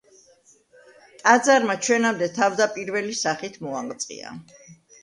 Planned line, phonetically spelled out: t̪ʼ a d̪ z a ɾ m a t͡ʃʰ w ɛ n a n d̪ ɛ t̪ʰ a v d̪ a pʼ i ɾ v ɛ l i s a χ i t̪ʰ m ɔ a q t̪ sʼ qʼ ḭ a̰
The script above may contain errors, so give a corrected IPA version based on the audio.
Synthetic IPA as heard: t̪ʼ a d̪ z a ɾ m a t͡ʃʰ w ɛ n a m d̪ ɛ t̪ʰ a v d̪ a pʼ i ɾ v ɛ l i s a χ i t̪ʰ m ɔ a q t̪ sʼ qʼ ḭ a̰